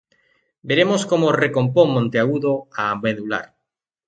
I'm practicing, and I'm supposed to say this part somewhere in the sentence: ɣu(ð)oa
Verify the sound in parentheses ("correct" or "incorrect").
correct